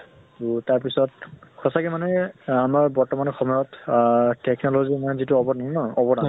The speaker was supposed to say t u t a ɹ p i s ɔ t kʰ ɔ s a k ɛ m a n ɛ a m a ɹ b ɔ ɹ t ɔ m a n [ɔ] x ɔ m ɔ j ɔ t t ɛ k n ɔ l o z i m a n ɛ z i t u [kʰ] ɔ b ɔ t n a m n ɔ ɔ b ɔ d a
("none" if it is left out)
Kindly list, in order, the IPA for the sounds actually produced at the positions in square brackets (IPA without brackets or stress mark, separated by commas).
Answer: ɔ, none